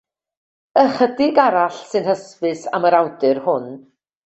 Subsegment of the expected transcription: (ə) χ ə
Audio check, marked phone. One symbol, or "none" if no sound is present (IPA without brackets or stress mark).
ə